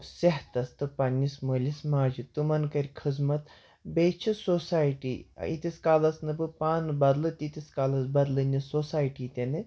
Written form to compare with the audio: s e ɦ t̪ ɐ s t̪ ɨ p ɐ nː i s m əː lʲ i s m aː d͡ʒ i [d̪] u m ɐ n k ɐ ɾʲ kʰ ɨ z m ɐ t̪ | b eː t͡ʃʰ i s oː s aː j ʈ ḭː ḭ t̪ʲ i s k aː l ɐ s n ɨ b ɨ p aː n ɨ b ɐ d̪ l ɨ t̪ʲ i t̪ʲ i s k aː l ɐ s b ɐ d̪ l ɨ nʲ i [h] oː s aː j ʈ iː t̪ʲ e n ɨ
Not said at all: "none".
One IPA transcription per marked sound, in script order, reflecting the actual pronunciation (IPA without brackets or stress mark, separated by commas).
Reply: t̪, s